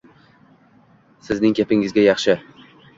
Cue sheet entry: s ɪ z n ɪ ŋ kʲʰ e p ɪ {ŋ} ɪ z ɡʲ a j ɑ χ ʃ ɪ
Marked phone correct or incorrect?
correct